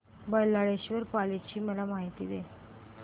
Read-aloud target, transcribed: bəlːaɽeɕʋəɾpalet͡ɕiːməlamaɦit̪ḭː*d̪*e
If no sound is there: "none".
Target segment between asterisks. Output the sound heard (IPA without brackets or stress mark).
d̪